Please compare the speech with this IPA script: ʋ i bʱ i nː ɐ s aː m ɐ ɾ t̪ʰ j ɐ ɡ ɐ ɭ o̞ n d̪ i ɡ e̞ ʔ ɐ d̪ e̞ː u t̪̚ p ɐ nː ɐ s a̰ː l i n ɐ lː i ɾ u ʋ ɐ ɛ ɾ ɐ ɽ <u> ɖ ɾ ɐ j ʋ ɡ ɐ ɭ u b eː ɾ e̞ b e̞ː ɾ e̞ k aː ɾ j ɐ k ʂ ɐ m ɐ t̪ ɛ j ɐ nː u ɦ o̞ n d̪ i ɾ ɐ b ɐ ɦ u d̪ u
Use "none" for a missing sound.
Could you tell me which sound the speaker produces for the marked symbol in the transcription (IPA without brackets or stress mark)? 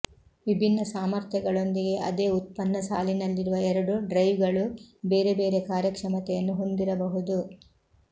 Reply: u